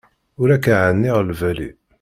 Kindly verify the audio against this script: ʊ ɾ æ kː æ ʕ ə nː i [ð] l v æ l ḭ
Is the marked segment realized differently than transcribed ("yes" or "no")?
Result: yes